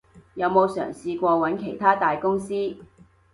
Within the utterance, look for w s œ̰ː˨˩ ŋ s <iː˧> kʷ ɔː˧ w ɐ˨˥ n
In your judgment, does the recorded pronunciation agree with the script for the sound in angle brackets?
yes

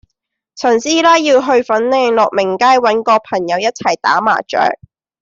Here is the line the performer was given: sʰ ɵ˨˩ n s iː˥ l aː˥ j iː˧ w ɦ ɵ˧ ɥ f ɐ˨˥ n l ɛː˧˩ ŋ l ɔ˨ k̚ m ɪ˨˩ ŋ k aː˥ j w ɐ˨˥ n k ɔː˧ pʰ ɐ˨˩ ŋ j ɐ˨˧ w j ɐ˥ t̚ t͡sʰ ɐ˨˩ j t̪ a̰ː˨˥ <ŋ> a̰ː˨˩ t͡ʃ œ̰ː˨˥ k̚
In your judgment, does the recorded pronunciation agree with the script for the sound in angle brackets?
no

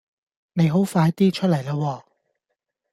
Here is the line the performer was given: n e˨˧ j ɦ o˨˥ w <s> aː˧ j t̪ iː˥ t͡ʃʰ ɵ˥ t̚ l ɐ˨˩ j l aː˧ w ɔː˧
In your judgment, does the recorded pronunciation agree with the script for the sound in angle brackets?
no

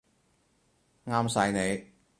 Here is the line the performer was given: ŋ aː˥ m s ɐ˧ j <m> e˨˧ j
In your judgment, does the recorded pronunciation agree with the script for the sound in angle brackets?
no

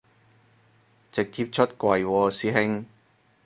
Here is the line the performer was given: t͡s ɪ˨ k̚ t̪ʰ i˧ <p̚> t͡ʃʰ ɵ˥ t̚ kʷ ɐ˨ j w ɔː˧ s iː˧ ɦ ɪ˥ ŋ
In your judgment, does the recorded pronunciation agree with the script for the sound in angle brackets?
yes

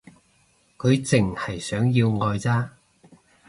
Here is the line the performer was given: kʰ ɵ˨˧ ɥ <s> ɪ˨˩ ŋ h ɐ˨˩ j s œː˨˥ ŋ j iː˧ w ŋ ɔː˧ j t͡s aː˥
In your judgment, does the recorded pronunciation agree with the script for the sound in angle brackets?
no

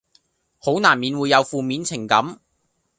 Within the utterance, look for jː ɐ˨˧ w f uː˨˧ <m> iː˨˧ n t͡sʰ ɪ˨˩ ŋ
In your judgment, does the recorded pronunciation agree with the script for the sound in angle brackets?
yes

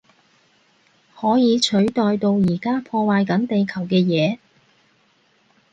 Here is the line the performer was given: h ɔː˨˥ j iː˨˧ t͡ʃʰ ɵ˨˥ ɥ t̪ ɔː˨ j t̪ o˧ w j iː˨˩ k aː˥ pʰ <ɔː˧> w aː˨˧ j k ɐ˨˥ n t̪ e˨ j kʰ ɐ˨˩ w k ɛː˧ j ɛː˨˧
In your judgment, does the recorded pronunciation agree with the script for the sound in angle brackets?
yes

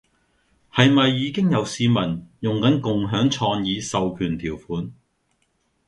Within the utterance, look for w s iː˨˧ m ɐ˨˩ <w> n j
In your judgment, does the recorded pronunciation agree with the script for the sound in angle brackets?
no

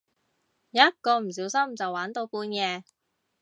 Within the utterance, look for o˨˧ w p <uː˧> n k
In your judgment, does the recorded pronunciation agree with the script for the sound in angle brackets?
yes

